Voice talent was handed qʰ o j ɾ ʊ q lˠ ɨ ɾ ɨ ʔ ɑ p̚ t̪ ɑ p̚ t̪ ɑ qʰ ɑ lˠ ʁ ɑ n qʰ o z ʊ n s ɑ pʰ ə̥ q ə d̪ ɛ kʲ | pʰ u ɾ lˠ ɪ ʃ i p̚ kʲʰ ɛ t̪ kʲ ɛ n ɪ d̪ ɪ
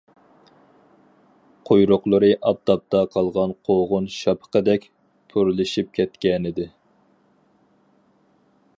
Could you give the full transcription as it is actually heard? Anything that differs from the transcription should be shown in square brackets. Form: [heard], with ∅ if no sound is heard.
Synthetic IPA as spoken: qʰ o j ɾ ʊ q lˠ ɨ ɾ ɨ ʔ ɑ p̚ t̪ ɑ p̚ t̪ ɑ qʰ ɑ lˠ ʁ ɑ n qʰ o [ʁ] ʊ n [ʃ] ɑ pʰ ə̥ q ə d̪ ɛ kʲ | pʰ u ɾ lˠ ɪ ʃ i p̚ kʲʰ ɛ t̪ kʲ ɛ n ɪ d̪ ɪ